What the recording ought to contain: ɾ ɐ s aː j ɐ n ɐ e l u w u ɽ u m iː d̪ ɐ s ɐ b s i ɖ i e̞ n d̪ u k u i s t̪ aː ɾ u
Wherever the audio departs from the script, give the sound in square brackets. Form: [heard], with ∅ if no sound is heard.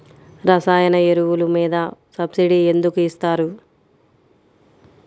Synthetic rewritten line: ɾ ɐ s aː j ɐ n ɐ e [ɾ] u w u [l] u m iː d̪ ɐ s ɐ b s i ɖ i e̞ n d̪ u k u i s t̪ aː ɾ u

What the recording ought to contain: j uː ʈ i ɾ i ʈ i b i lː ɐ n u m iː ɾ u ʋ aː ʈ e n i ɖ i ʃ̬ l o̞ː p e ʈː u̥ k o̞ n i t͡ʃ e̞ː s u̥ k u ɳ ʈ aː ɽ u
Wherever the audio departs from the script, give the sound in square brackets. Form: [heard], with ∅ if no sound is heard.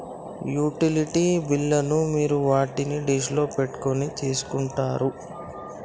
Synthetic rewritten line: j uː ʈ i [l] i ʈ i b i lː ɐ n u m iː ɾ u ʋ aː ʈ [i] n i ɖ i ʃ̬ l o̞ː p e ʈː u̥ k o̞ n i t͡ʃ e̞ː s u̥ k u ɳ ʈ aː [ɾ] u

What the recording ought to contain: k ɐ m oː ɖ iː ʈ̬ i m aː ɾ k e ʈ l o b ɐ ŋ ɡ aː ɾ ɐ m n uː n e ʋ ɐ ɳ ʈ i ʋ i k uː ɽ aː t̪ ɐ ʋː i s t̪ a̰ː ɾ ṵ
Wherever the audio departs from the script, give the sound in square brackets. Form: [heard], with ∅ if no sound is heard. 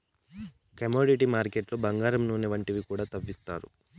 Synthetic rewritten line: k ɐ m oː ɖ [i] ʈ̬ i m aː ɾ k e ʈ l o b ɐ ŋ ɡ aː ɾ ɐ m n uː n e ʋ ɐ ɳ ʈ i ʋ i k uː ɽ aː t̪ ɐ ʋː i s t̪ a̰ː ɾ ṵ

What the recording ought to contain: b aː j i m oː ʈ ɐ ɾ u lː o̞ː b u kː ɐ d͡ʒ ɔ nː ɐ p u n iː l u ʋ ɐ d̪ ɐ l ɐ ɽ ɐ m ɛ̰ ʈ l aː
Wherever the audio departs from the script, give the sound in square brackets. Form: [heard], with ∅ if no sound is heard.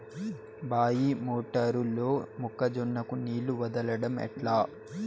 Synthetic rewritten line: b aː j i m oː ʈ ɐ ɾ u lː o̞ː [m] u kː ɐ d͡ʒ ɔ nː ɐ [k] u n iː l u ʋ ɐ d̪ ɐ l ɐ ɽ ɐ m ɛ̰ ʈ l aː

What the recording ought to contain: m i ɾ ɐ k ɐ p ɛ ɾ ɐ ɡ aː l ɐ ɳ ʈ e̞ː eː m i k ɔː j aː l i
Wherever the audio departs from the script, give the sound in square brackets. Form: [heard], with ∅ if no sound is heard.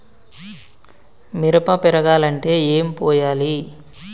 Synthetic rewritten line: m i ɾ ɐ [p] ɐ p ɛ ɾ ɐ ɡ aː l ɐ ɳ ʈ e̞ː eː m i [p] ɔː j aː l i

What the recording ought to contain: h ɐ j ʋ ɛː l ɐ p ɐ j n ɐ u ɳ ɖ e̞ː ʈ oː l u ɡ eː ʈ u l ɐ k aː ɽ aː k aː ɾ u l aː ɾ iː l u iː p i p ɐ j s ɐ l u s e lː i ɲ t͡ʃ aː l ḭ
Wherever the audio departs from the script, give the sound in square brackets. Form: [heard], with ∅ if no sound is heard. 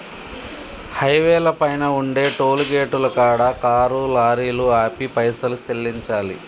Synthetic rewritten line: h ɐ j ʋ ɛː l ɐ p ɐ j n ɐ u ɳ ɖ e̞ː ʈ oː l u ɡ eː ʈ u l ɐ k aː ɽ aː k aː ɾ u l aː ɾ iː l u [aː] p i p ɐ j s ɐ l u s e lː i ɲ t͡ʃ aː l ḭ

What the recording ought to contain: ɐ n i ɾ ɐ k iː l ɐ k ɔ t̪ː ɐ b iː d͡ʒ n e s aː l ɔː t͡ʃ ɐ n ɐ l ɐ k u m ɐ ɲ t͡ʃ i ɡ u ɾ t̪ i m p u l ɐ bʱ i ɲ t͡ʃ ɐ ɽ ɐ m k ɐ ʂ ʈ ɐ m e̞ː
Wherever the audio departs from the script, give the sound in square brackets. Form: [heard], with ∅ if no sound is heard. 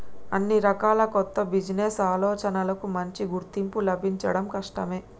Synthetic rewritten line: ɐ [nː] i ɾ ɐ k [aː] l ɐ k ɔ t̪ː ɐ b [i] d͡ʒ n e s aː l ɔː t͡ʃ ɐ n ɐ l ɐ k u m ɐ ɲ t͡ʃ i ɡ u ɾ t̪ i m p u l ɐ bʱ i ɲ t͡ʃ ɐ ɽ ɐ m k ɐ ʂ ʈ ɐ m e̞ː

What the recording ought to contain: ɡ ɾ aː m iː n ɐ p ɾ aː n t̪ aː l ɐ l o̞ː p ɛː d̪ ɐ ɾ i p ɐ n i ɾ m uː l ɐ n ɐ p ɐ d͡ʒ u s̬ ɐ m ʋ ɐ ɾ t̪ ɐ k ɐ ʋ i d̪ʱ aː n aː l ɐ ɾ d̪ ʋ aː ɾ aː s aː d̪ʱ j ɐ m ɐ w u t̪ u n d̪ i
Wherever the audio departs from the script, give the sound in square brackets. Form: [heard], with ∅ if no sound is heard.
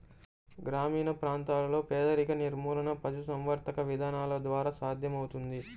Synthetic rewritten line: ɡ ɾ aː m iː n ɐ p ɾ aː n t̪ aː l ɐ l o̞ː p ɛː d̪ ɐ ɾ i [k] ɐ n i ɾ m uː l ɐ n ɐ p ɐ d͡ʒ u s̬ ɐ m ʋ ɐ ɾ t̪ ɐ k ɐ ʋ i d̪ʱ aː n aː l ɐ [∅] d̪ ʋ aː ɾ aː s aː d̪ʱ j ɐ m ɐ w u t̪ u n d̪ i

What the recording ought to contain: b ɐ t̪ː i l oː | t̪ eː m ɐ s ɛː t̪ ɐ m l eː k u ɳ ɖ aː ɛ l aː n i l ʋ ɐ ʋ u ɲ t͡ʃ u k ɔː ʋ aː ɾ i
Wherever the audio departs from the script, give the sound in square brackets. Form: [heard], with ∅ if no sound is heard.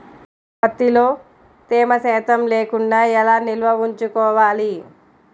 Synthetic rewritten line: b ɐ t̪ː i l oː | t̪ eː m ɐ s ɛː t̪ ɐ m l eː k u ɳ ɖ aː ɛ l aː n i l ʋ ɐ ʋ u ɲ t͡ʃ u k ɔː ʋ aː [l] i

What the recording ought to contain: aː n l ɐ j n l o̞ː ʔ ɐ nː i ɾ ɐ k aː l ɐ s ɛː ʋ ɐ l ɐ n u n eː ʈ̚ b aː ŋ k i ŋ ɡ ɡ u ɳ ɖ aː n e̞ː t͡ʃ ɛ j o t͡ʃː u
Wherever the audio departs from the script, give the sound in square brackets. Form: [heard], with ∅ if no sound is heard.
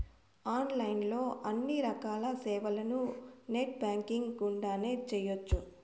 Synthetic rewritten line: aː n l ɐ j n l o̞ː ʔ ɐ nː i ɾ ɐ k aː l ɐ s ɛː ʋ ɐ l ɐ n u n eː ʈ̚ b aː ŋ k i ŋ ɡ ɡ u ɳ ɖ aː n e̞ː t͡ʃ ɛ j o t͡ʃː u

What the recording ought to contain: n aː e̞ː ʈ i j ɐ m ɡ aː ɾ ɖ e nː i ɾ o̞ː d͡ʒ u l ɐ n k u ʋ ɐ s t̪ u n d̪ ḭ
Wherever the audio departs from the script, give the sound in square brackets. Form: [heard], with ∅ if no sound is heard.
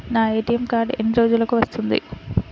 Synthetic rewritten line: n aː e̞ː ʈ i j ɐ m [k] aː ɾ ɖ e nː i ɾ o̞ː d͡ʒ u l ɐ [∅] k u ʋ ɐ s t̪ u n d̪ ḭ

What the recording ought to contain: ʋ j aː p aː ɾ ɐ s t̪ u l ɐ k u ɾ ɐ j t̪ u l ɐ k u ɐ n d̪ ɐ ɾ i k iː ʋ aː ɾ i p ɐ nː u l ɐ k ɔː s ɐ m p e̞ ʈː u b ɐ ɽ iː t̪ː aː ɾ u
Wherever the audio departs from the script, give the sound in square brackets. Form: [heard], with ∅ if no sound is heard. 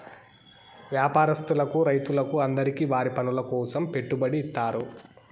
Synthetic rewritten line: ʋ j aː p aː ɾ ɐ s t̪ u l ɐ k u ɾ ɐ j t̪ u l ɐ k u ɐ n d̪ ɐ ɾ i k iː ʋ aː ɾ i p ɐ [n] u l ɐ k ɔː s ɐ m p e̞ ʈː u b ɐ ɽ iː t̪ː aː ɾ u

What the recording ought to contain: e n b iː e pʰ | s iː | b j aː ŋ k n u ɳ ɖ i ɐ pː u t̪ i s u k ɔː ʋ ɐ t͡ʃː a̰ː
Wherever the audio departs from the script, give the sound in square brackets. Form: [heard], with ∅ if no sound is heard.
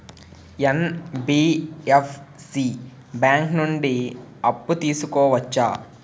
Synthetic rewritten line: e n b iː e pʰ | s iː | b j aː ŋ k n u ɳ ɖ i ɐ pː u t̪ [iː] s u k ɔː ʋ ɐ t͡ʃː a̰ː

